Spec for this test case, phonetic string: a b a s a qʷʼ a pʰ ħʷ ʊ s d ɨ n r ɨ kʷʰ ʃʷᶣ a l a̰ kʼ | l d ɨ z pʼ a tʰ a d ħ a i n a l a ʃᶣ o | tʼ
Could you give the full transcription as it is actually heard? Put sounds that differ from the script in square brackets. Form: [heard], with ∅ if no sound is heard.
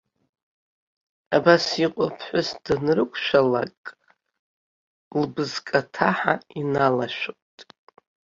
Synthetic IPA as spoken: a b a s [i] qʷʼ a pʰ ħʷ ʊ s d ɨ n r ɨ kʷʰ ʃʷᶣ a l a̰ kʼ | l [b] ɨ z [kʼ] a tʰ a [∅] ħ a i n a l a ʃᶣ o | tʼ